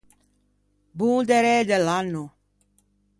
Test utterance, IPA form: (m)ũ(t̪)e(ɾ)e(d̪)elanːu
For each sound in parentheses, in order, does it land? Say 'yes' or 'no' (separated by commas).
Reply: no, no, yes, yes